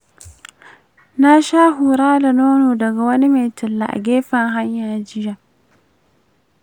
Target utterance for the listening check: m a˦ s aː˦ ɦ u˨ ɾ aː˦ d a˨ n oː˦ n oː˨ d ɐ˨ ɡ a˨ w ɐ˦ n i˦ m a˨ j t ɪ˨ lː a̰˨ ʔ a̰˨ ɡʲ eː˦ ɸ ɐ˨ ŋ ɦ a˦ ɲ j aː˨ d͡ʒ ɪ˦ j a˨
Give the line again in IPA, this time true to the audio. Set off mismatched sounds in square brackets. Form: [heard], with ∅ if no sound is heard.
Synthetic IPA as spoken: [n] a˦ [ʃ] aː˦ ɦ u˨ ɾ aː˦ d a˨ n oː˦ n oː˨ d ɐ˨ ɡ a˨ w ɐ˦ n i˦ m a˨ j t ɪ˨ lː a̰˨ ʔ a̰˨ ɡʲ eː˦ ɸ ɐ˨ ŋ ɦ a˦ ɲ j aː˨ d͡ʒ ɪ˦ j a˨